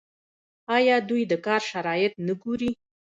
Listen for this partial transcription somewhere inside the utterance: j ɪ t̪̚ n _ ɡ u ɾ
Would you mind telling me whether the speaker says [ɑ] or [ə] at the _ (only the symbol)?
ə